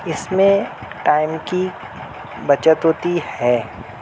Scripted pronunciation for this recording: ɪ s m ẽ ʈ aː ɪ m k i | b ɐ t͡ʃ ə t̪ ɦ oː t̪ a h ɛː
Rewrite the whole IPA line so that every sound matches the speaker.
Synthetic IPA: ɪ s m ẽ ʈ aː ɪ m k i | b ɐ t͡ʃ ə t̪ ɦ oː t̪ i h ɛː